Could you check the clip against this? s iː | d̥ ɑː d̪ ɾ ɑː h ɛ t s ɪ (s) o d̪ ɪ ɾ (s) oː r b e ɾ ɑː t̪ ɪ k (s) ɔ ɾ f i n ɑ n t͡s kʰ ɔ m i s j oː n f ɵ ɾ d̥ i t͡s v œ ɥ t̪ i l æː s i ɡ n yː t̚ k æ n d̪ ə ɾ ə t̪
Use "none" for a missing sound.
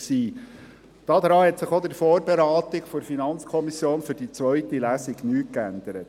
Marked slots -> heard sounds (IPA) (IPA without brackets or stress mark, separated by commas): χ, f, f